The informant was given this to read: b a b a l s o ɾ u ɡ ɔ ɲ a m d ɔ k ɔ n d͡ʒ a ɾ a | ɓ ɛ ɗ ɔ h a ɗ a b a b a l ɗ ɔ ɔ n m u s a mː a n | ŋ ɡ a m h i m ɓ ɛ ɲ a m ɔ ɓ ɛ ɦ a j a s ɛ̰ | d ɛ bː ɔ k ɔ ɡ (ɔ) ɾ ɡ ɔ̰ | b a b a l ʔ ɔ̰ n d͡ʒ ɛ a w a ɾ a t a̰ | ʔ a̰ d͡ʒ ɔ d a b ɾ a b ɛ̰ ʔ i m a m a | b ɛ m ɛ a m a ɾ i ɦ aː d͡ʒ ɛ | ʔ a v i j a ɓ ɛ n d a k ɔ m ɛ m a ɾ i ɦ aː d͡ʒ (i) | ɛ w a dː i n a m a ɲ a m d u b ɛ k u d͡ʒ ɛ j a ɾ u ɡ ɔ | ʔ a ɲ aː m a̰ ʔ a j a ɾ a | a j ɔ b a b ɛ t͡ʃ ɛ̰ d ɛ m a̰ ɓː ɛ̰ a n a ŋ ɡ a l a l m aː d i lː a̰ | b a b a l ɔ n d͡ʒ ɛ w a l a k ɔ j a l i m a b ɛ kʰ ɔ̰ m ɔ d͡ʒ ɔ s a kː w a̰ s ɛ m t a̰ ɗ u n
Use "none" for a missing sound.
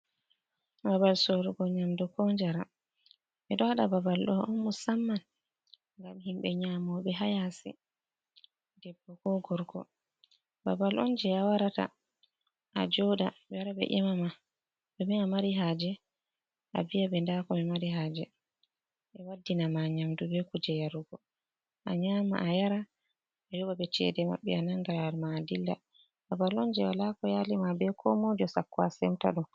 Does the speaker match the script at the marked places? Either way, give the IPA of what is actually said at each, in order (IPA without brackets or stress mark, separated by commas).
ɔ, ɛ